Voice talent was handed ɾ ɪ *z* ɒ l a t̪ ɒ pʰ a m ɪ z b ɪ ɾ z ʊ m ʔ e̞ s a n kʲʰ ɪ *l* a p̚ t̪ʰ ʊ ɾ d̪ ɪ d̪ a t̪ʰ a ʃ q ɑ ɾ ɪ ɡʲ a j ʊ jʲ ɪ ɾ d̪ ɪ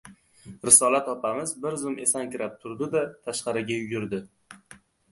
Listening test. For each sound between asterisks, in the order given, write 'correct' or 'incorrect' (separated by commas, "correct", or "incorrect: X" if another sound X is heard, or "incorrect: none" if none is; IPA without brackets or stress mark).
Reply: incorrect: s, incorrect: ɾ